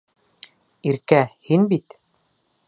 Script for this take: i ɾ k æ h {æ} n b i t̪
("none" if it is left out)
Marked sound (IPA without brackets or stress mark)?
i